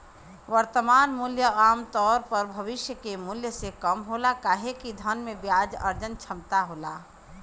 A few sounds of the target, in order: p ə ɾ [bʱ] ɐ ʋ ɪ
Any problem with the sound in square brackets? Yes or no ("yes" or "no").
no